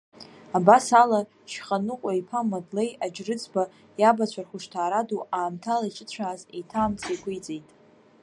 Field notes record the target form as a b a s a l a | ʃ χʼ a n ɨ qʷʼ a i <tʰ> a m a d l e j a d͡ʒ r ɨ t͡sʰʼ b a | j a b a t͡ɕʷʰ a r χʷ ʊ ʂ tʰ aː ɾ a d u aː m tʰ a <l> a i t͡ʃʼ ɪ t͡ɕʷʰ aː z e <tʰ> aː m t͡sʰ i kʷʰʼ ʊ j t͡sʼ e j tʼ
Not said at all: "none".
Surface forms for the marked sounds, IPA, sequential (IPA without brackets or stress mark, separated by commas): pʰ, l, tʰ